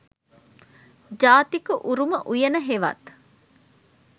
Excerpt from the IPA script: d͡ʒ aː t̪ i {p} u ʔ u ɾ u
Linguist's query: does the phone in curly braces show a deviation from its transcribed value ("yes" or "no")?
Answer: yes